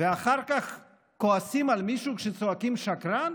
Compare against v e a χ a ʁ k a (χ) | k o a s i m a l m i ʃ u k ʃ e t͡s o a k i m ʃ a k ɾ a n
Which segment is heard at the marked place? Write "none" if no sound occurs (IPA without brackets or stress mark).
χ